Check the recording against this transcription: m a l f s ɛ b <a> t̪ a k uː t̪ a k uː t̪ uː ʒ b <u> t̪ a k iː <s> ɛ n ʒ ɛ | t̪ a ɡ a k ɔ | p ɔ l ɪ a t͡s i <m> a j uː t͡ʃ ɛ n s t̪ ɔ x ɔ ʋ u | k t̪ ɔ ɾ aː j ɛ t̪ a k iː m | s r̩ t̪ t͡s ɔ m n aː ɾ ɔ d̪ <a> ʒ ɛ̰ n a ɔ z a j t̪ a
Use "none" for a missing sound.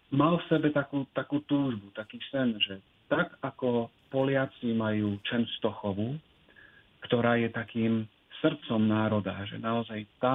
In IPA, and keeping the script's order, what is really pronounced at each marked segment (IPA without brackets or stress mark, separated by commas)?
ɛ, u, s, m, a